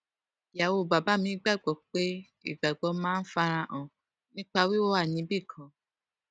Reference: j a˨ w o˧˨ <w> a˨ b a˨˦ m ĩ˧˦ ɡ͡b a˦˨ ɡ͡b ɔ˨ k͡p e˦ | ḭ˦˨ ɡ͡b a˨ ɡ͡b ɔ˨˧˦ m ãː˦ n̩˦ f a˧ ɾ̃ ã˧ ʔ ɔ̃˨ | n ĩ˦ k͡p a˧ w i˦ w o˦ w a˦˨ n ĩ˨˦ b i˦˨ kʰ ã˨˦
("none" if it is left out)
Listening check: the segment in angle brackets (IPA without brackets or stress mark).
b